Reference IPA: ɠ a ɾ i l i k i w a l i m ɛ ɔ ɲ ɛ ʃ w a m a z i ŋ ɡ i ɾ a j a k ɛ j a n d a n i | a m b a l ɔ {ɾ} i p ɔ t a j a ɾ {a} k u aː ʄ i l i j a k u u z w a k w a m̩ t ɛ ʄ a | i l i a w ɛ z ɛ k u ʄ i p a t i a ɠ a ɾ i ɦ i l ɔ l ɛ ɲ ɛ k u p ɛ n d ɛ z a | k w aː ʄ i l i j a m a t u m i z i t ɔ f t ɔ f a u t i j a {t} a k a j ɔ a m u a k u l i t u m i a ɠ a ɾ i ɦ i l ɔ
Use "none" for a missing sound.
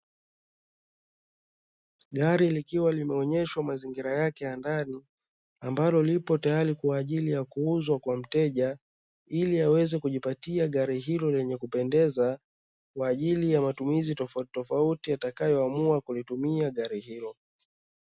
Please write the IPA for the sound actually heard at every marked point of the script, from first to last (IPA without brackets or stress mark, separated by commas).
l, i, t